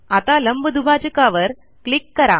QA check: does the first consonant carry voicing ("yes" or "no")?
no